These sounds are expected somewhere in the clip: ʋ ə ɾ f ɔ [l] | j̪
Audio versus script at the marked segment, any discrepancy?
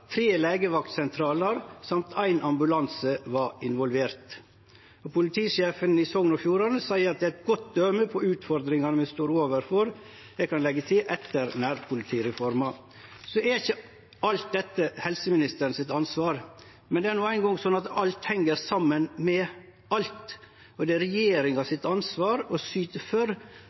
yes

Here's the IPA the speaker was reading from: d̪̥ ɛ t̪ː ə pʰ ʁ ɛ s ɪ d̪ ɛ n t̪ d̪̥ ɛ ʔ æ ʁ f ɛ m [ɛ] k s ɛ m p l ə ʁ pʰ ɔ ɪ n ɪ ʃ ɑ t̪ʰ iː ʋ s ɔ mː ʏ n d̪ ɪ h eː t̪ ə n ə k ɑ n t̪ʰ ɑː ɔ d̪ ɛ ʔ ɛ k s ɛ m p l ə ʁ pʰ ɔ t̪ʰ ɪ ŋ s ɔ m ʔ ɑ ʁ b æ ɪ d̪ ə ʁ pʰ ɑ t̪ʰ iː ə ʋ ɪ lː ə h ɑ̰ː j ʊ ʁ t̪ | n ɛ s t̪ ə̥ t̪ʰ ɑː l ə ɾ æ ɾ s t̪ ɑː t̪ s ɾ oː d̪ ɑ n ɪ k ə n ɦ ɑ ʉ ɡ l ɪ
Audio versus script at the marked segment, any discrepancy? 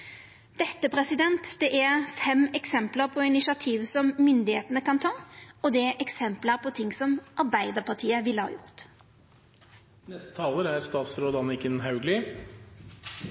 no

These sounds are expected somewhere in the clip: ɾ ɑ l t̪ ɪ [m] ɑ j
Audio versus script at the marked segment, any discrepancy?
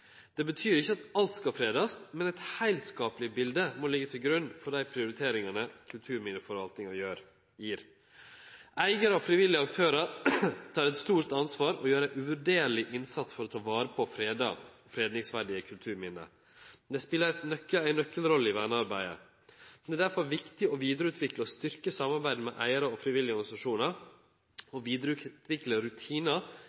yes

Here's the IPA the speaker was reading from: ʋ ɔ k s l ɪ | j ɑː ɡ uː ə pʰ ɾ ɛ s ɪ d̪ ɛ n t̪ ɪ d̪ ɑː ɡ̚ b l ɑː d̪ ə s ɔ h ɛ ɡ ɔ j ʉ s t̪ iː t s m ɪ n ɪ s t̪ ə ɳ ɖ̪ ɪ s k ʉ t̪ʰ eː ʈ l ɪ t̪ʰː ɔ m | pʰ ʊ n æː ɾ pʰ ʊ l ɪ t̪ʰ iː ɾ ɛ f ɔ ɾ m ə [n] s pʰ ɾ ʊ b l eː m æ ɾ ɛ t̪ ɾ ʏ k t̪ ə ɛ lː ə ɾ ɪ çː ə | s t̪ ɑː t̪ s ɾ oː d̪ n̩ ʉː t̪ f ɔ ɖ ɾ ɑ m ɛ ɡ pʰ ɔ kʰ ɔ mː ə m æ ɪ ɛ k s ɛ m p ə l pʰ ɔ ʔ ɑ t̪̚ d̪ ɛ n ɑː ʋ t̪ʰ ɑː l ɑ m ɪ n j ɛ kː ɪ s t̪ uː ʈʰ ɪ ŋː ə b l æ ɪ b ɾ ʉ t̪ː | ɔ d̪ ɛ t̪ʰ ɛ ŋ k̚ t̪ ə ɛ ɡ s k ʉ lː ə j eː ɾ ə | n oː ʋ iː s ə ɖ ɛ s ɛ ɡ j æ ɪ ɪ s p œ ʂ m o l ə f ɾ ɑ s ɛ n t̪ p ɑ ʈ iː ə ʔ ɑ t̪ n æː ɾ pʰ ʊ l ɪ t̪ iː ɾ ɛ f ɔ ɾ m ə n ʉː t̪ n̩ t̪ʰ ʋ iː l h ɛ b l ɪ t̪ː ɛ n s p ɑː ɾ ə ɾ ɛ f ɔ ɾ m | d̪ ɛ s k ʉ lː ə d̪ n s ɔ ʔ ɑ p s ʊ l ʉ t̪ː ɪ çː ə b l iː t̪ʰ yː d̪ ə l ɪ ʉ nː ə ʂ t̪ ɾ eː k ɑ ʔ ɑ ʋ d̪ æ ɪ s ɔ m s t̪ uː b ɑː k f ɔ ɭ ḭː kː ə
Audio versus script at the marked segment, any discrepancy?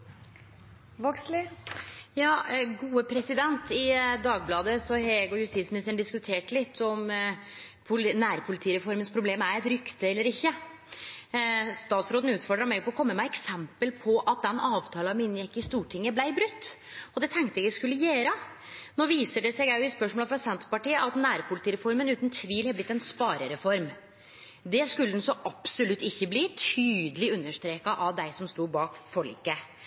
no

